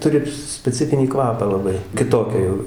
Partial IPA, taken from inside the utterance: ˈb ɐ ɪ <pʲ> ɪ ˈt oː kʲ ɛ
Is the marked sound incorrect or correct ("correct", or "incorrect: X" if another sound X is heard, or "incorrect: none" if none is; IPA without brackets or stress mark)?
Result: incorrect: kʲ